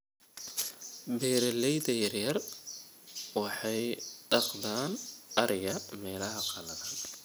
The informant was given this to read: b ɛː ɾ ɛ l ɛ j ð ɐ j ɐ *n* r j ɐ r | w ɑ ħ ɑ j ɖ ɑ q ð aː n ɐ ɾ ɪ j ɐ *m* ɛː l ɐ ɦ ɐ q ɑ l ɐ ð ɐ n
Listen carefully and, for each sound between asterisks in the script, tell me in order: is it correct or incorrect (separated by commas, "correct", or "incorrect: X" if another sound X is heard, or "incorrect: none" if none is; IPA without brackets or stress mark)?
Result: incorrect: none, correct